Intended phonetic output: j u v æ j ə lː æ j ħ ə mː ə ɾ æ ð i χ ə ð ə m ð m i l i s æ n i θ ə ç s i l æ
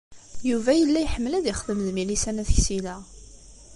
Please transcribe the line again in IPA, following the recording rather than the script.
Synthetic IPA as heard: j u v æ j ə lː æ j ħ ə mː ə l æ ð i χ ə ð ə m ð m i l i s æ n æ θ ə ç s i l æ